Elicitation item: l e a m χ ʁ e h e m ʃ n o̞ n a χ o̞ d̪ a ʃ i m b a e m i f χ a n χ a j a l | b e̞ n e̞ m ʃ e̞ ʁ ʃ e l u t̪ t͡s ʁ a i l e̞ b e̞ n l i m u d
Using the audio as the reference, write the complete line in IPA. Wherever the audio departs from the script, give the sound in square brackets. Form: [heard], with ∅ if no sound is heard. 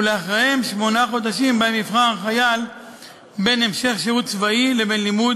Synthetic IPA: l e a [∅] χ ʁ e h e m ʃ [m] o̞ n a χ o̞ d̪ a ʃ i m b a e m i f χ a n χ a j a l | b e̞ n e̞ m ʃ e̞ [χ] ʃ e [∅] u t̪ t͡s [v] a i l e̞ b e̞ n l i m u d

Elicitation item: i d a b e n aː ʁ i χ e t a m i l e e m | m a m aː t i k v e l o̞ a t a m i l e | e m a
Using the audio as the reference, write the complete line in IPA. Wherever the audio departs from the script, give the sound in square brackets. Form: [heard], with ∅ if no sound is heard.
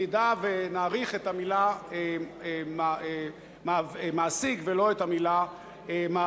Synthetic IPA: i d a [v] e n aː ʁ i χ e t a m i l [a] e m | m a m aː [s] i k v e l o̞ [e] t a m i l [a] | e m a

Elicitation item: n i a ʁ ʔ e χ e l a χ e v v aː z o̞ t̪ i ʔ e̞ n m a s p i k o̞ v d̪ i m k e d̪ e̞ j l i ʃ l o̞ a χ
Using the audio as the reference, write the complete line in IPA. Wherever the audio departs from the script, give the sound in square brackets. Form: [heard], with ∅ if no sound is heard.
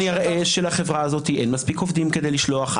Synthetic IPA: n i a ʁ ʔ e [ʃ] e l a χ e v [ʁ] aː z o̞ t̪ i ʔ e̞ n m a s p i k o̞ v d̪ i m k e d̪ e̞ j l i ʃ l o̞ a χ

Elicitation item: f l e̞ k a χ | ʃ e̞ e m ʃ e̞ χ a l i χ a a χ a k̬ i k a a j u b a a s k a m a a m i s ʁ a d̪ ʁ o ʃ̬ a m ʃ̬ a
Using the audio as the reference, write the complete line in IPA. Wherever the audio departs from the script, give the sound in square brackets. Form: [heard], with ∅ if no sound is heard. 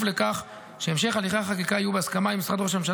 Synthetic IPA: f l e̞ k a χ | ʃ e̞ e m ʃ e̞ χ a l i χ a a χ a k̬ i k a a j u b [e] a s k a m a [i] m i s ʁ a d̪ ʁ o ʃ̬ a m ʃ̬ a

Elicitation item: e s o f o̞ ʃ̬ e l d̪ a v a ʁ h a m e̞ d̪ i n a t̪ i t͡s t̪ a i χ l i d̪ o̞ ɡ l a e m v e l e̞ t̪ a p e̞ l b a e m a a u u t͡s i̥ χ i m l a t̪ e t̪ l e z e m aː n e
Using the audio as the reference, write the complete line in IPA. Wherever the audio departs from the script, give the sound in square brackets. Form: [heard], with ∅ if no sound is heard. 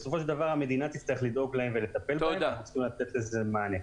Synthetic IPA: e s o f o̞ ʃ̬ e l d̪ a v a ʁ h a m e̞ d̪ i n a t̪ i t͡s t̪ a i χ l i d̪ o̞ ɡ l a e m v e l e̞ t̪ a p e̞ l b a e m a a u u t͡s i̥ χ i m l a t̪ e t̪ l e z e m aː n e

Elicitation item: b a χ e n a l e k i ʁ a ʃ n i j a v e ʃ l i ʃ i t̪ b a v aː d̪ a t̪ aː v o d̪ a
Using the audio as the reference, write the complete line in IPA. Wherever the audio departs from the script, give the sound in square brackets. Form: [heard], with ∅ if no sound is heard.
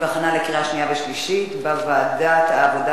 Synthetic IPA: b a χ [a] n a l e k i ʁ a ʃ n i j a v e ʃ l i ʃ i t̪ b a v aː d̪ a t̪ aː v o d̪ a

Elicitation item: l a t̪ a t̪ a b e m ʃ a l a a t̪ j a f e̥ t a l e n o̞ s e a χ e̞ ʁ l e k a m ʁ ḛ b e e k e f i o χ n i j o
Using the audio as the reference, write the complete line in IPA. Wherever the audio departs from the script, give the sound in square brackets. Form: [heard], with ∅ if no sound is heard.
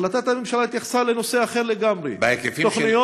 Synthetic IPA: l a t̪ a t̪ a [m] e m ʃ a l a [i] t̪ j a [χ] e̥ [s] a l e n o̞ s e a χ e̞ ʁ l e [ɡ] a m ʁ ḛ b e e k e f i o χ n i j o

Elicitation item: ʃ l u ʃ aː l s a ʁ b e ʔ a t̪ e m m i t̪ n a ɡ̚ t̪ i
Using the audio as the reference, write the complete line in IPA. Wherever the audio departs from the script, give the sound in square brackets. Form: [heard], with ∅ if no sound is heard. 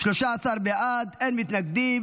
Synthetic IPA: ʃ l [o] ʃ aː [∅] s a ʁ b e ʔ a [d̪] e [n] m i t̪ n a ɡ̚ [d̪] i

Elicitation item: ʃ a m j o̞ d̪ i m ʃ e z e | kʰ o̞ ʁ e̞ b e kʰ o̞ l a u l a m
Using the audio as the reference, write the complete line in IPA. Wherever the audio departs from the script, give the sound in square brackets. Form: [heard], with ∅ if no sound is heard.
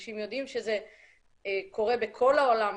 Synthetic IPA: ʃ [i] m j o̞ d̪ i m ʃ e z e | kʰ o̞ ʁ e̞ b e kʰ o̞ l a [o] l a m

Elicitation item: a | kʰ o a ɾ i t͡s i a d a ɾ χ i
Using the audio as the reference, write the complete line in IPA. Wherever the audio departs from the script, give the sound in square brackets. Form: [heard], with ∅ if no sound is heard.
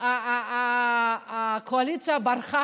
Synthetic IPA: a | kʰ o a [l] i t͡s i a [b] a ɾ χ [a]

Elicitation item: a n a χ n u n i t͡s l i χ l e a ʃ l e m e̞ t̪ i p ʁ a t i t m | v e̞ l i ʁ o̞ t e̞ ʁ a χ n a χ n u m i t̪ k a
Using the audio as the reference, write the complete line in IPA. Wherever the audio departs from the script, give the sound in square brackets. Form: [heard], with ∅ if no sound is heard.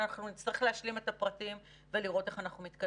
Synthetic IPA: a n a χ n u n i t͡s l i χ l e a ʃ l [i] m e̞ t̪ [a] p ʁ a t i [∅] m | v e̞ l i ʁ o̞ t e̞ [χ] a [∅] n a χ n u m i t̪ k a

